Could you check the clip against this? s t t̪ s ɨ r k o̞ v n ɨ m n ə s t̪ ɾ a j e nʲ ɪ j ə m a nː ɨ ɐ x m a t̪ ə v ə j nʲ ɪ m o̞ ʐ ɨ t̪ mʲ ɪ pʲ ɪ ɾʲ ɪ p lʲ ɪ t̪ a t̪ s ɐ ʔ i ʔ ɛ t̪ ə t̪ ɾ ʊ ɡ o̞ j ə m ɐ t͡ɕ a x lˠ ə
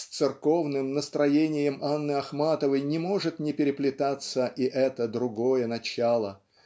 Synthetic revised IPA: s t t̪ s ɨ r k o̞ v n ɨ m n ə s t̪ ɾ ɐ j e nʲ ɪ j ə m a nː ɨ ɐ x m a t̪ ə v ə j nʲ ɪ m o̞ ʐ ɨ t̪ nʲ ɪ pʲ ɪ ɾʲ ɪ p lʲ ɪ t̪ a t̪ s ə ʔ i ʔ ɛ t̪ ə d̪ ɾ ʊ ɡ o̞ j ə n ɐ t͡ɕ a lˠ ə